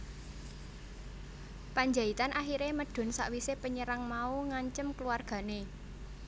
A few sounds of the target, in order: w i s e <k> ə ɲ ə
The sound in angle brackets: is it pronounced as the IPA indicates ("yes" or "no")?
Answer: no